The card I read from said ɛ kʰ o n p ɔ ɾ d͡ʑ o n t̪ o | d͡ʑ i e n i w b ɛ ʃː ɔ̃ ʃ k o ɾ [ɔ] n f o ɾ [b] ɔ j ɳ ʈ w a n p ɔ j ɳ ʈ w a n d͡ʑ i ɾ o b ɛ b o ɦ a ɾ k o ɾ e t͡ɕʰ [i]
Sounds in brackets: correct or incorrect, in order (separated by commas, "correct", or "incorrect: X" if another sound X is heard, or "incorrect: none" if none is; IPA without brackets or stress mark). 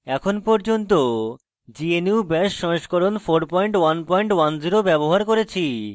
incorrect: o, incorrect: p, correct